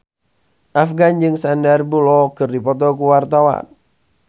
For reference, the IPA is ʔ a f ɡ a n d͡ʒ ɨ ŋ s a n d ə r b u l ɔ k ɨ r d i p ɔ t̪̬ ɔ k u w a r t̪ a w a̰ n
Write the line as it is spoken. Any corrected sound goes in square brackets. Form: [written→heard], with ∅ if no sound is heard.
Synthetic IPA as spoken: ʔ a f ɡ a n d͡ʒ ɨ ŋ s a n d [ə→a] r b u l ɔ k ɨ r d i p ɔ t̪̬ ɔ k u w a r t̪ a w a̰ n